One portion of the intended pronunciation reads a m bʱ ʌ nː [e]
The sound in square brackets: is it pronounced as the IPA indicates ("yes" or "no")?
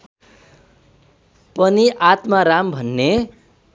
yes